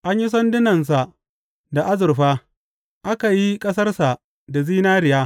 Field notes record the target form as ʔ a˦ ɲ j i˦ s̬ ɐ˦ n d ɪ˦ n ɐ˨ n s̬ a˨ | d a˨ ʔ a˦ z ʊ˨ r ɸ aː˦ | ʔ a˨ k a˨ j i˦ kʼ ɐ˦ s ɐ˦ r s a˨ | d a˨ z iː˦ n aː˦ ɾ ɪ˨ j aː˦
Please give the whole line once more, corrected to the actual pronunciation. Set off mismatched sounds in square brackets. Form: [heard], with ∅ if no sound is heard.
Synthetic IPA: ʔ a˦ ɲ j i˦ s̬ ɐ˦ n d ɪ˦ n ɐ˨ n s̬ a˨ | d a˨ ʔ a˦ z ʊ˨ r ɸ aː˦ | ʔ [a˦] k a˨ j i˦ kʼ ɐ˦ s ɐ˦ r s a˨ | d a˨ z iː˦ n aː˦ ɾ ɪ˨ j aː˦